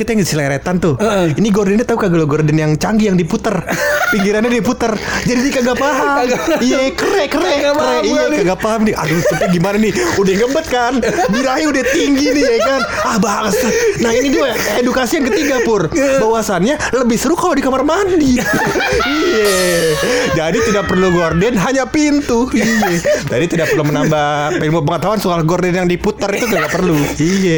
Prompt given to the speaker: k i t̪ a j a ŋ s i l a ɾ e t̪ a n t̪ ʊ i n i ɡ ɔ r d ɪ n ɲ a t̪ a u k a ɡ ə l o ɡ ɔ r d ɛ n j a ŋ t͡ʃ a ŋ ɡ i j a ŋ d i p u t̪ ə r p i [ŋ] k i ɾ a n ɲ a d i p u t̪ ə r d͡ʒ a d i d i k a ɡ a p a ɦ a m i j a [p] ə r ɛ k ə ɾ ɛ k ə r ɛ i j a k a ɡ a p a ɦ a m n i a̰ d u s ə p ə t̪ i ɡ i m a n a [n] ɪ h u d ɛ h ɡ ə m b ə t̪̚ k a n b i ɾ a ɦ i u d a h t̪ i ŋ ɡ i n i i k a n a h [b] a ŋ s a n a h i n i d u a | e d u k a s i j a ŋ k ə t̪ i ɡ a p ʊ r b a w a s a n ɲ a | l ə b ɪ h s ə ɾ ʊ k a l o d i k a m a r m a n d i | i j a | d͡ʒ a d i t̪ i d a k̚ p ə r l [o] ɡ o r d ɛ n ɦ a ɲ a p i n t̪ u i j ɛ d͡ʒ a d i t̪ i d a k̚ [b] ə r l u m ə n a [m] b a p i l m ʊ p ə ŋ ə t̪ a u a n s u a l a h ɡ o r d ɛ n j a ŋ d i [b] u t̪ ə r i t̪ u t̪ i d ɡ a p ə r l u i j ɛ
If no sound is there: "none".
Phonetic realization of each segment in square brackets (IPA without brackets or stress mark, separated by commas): ŋ, k, n, b, u, p, m, p